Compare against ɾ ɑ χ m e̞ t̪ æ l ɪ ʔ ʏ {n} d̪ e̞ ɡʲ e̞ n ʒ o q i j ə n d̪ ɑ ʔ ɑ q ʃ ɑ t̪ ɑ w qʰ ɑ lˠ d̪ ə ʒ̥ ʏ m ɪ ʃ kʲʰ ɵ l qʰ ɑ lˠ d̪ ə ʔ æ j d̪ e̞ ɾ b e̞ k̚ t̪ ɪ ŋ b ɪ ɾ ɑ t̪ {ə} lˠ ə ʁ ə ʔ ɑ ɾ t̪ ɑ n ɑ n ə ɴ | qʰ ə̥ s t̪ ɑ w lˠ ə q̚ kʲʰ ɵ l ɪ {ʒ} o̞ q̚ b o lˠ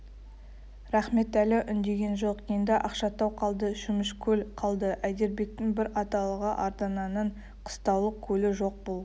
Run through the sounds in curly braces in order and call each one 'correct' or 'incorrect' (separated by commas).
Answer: correct, incorrect, correct